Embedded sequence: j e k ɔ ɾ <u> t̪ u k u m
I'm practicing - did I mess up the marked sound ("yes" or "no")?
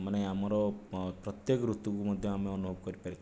no